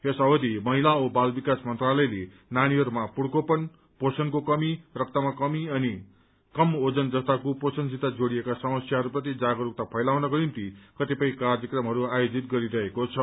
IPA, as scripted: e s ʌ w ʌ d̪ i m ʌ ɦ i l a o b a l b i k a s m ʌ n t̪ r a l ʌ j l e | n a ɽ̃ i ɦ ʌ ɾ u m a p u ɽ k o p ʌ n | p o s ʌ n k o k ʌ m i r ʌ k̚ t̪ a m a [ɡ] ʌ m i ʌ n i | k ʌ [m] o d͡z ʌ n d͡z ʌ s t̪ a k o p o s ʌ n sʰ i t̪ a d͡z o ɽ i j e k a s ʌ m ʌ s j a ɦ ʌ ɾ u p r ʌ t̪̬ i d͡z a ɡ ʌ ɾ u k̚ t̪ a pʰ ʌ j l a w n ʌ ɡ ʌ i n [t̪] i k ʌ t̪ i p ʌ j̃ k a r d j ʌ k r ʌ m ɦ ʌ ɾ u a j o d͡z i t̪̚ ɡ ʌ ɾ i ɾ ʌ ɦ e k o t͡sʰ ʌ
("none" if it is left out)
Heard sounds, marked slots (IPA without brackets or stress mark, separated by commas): k, m, t̪